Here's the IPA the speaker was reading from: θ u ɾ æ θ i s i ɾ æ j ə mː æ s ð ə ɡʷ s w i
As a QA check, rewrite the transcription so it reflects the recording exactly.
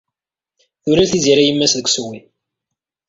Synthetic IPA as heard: θ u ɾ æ θ i z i ɾ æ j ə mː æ s ð ə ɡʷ s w i